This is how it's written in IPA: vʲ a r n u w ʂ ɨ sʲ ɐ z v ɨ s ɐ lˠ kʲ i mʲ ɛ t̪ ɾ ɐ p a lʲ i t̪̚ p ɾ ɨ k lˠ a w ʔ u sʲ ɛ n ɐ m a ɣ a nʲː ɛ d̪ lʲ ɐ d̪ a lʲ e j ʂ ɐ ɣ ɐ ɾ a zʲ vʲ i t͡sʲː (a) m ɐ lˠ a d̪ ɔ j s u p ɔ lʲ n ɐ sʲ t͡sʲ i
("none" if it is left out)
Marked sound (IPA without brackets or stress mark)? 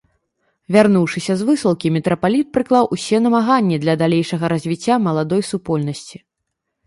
a